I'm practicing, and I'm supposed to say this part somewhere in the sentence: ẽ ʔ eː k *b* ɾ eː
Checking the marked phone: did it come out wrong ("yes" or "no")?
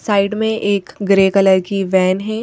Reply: yes